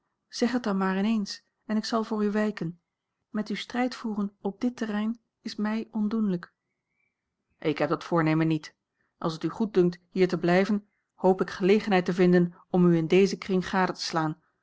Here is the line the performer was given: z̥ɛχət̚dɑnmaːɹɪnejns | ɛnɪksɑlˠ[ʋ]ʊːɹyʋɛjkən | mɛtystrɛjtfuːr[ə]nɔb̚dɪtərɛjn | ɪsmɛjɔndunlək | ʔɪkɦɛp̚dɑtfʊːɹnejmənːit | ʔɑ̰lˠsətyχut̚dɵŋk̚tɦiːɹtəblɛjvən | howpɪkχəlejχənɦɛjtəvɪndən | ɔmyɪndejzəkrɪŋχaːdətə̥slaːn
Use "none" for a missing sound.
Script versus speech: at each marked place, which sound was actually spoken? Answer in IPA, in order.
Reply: v, ə

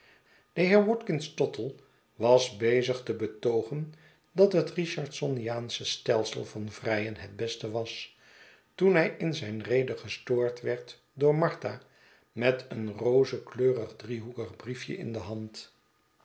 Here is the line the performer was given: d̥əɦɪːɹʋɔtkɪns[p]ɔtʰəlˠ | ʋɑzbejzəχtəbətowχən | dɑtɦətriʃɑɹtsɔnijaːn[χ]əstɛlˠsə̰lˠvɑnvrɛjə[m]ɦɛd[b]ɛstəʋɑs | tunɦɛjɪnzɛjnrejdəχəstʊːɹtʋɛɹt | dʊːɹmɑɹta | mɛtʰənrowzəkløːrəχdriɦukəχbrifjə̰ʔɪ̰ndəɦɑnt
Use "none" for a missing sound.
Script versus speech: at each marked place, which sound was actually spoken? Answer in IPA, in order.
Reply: t, s, n, b

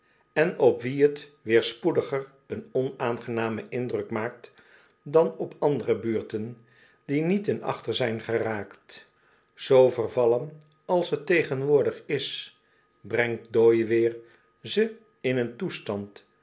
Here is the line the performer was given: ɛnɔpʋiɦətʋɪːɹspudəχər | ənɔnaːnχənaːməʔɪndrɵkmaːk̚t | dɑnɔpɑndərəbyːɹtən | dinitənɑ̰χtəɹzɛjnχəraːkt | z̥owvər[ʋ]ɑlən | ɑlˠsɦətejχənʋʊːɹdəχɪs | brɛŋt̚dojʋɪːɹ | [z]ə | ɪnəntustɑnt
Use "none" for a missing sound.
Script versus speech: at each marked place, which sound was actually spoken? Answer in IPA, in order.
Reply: v, z

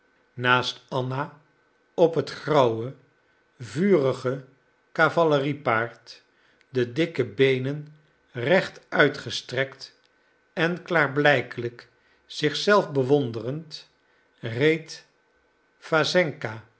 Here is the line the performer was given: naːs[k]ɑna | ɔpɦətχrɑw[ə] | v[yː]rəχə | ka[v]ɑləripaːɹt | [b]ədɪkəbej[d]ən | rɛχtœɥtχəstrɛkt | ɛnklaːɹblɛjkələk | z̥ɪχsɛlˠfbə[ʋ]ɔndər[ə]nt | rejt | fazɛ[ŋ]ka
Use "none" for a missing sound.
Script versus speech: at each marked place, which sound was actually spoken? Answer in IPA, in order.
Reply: t, ə, yː, v, d, n, ʋ, ə, ŋ

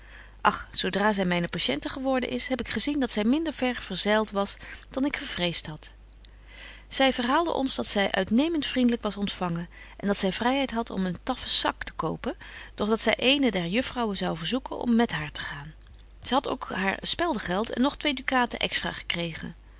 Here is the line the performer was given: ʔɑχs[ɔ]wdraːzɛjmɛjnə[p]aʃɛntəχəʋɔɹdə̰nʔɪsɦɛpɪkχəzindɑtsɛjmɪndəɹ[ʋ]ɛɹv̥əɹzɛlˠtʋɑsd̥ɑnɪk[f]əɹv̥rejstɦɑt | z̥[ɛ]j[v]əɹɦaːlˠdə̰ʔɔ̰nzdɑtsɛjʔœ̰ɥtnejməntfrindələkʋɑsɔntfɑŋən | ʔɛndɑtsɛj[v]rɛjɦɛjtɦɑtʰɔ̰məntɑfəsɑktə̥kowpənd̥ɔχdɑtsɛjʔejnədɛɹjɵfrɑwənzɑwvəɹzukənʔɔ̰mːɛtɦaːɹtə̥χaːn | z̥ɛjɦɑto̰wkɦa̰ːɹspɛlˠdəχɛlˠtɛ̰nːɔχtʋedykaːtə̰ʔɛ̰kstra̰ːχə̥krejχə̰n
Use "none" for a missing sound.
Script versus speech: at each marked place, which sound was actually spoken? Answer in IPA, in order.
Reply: o, p, v, χ, ɛ, v, v

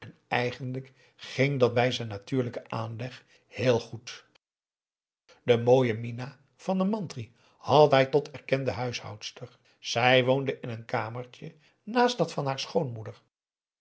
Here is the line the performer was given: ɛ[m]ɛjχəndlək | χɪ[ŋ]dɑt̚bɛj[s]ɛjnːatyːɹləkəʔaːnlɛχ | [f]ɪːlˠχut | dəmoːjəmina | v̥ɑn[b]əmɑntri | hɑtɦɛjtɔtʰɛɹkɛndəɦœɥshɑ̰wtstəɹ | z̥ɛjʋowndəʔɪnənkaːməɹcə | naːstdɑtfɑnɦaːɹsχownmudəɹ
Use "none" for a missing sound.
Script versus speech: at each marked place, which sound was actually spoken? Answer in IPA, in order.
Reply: n, ŋ, z, h, d

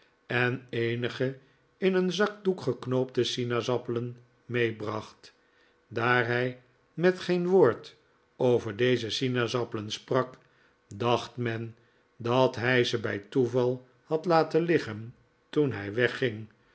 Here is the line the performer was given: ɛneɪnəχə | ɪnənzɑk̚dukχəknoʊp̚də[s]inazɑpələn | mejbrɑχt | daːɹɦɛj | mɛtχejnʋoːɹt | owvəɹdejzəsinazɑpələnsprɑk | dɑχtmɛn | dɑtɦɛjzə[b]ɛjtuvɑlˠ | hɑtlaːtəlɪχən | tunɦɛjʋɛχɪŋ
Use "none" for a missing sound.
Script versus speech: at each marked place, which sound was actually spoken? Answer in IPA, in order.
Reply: s, b

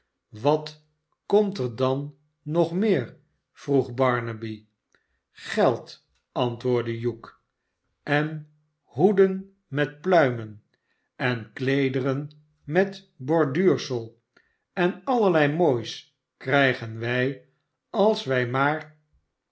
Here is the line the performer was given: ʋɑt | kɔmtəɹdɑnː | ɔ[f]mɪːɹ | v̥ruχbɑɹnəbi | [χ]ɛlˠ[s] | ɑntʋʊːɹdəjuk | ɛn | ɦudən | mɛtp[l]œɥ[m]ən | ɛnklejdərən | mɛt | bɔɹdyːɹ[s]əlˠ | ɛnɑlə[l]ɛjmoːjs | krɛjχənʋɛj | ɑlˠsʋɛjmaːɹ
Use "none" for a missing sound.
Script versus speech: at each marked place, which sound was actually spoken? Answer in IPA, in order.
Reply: χ, χ, t, l, m, s, l

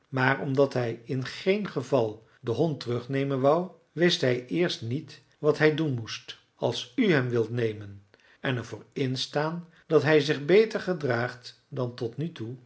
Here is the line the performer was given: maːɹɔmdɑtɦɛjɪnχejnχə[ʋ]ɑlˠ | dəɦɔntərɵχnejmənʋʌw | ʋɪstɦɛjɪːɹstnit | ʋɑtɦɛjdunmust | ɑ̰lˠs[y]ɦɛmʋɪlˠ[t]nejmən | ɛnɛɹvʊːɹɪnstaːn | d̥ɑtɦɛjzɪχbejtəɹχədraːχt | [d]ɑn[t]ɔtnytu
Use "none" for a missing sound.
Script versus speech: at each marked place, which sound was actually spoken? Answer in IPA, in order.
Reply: v, y, t, d, t

